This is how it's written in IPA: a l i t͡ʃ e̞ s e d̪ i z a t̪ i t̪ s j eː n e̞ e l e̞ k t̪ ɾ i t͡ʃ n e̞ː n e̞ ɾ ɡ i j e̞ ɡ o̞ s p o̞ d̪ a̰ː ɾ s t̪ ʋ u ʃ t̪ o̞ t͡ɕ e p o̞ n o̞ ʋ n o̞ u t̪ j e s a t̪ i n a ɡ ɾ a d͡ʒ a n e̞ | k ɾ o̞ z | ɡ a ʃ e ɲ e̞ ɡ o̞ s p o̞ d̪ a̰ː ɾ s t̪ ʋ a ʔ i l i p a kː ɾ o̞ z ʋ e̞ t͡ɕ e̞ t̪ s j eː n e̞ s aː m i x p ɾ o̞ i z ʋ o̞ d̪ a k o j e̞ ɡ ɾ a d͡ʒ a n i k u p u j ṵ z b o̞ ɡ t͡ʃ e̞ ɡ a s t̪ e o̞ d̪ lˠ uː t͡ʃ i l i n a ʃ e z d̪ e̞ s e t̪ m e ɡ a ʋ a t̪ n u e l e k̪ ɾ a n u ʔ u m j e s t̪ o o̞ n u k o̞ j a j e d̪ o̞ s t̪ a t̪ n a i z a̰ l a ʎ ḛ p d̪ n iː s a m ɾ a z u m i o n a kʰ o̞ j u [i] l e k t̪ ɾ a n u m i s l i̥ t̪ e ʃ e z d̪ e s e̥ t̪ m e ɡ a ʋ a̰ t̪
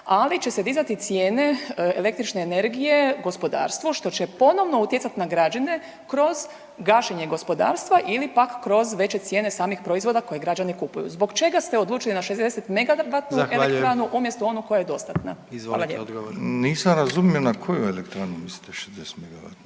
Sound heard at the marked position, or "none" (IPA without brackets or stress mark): e